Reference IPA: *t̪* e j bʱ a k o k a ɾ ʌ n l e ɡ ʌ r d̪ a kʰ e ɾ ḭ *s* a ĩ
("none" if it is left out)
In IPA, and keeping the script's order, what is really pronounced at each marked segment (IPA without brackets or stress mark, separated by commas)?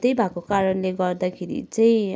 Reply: t̪, t͡s